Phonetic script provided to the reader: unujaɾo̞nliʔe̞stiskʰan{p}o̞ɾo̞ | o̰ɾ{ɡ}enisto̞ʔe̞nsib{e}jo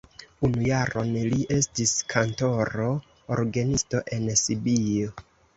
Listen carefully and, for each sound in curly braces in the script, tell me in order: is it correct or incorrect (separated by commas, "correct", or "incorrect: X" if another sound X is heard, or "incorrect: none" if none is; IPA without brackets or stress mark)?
incorrect: t, correct, incorrect: i